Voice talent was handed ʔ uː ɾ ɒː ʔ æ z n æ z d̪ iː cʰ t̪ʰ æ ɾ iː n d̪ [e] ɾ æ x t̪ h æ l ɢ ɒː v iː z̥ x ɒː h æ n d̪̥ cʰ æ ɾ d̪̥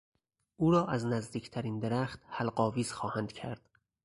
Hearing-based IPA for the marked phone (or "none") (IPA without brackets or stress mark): e